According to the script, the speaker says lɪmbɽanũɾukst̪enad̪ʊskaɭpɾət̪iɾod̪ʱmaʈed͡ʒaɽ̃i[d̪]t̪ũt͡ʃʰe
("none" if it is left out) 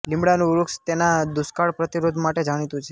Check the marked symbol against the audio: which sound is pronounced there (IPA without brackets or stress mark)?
none